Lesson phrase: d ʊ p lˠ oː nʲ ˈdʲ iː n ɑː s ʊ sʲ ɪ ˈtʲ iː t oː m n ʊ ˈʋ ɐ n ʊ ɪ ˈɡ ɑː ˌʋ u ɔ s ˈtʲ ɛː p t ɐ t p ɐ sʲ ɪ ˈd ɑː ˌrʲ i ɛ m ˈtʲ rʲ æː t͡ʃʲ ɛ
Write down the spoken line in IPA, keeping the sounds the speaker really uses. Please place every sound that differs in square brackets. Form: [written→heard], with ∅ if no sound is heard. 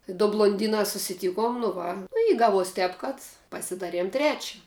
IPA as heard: d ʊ [p→b] lˠ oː nʲ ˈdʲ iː n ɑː s ʊ sʲ ɪ ˈtʲ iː [t→k] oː m n ʊ ˈʋ ɐ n ʊ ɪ ˈɡ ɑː ˌʋ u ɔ s ˈtʲ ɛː p [t→k] ɐ t p ɐ sʲ ɪ ˈd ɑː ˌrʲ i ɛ m ˈtʲ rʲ æː t͡ʃʲ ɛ